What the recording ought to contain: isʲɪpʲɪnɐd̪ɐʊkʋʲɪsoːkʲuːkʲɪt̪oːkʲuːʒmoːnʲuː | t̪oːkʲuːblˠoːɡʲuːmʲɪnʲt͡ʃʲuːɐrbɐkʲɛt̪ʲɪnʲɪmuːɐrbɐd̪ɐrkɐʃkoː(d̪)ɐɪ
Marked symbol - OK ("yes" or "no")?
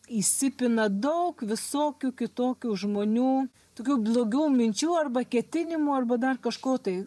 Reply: no